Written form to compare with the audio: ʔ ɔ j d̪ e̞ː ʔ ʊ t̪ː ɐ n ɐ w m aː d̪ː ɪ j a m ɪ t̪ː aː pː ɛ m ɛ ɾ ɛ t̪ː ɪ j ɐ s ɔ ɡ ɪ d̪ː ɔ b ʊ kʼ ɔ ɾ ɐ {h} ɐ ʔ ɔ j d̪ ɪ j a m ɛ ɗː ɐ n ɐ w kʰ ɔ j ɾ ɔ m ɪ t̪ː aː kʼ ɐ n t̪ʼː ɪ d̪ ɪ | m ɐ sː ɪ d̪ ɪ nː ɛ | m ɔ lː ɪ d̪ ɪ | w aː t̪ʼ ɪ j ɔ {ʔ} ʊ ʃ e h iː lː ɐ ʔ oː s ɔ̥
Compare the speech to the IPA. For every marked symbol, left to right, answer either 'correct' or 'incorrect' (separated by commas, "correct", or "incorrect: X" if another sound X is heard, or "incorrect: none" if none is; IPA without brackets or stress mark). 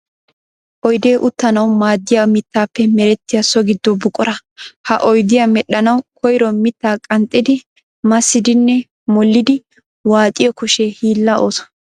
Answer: correct, incorrect: k